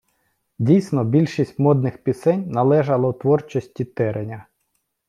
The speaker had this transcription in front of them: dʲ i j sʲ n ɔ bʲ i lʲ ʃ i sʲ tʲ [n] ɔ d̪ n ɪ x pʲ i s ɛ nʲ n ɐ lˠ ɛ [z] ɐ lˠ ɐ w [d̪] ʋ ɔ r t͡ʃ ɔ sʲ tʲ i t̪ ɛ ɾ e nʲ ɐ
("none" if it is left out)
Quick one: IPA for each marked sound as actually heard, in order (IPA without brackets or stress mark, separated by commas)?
m, ʒ, t̪